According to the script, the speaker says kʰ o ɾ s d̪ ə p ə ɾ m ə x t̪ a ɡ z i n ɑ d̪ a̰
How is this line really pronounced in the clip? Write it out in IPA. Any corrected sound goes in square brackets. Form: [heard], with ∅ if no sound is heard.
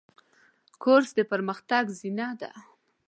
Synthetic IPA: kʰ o ɾ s d̪ ə p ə ɾ m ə x t̪ a ɡ z i n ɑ d̪ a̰